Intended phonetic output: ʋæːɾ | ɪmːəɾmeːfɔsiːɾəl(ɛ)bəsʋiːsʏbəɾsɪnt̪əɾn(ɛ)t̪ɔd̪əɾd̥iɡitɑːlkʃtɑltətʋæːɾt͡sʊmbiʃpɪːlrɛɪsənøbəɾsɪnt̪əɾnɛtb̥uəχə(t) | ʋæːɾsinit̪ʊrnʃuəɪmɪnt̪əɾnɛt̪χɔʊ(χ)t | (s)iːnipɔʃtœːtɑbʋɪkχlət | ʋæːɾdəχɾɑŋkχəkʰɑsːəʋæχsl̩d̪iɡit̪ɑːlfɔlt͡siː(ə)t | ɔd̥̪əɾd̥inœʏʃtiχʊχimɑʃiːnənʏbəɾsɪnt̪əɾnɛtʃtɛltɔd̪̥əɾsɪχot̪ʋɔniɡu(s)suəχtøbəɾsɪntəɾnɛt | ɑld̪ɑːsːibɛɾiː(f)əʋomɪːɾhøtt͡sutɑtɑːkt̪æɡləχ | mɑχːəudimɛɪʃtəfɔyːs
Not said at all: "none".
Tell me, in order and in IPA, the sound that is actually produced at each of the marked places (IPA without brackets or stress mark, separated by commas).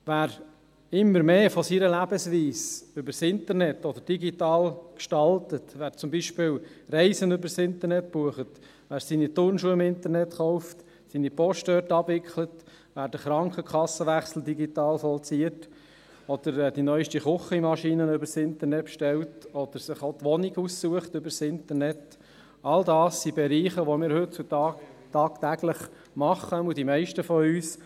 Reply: æ, ɛ, t, f, s, ə, s, χ